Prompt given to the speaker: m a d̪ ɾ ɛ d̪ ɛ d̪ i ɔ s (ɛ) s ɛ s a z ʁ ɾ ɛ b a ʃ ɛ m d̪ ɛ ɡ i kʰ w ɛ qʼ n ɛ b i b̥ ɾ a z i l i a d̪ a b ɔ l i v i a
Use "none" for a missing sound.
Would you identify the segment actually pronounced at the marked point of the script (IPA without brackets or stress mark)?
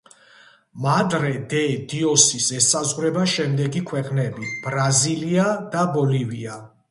i